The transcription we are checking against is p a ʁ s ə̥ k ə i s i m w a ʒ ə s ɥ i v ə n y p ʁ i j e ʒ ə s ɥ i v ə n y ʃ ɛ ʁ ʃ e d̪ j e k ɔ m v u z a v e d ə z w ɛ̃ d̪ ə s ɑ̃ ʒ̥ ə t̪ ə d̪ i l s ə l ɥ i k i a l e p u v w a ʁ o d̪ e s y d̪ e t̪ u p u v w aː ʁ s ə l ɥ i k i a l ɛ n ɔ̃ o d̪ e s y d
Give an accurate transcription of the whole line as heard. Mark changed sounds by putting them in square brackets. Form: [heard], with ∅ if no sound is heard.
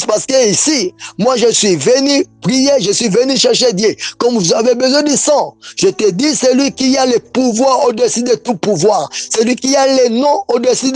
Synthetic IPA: p a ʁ s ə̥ k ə i s i m w a ʒ ə s ɥ i v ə n y p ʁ i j e ʒ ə s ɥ i v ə n y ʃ ɛ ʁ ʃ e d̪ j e k ɔ m v u z a v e [b] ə z w ɛ̃ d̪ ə s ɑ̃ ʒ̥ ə t̪ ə d̪ i [∅] s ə l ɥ i k i a l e p u v w a ʁ o d̪ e s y d̪ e t̪ u p u v w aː ʁ s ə l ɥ i k i a l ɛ n ɔ̃ o d̪ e s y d